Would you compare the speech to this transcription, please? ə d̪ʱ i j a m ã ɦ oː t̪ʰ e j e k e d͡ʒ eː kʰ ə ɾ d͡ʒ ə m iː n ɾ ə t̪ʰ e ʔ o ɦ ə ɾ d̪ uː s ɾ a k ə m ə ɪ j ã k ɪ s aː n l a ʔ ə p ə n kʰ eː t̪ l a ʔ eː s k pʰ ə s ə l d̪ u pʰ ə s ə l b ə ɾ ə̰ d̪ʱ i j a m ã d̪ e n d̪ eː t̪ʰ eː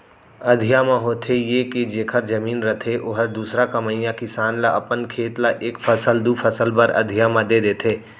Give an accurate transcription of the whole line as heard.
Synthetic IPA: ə d̪ʱ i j a m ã ɦ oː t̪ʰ e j e k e d͡ʒ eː kʰ ə ɾ d͡ʒ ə m iː n ɾ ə t̪ʰ e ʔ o ɦ ə ɾ d̪ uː s ɾ a k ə m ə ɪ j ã k ɪ s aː n l a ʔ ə p ə n kʰ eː t̪ l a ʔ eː k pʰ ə s ə l d̪ u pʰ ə s ə l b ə ɾ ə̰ d̪ʱ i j a m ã d̪ e d̪ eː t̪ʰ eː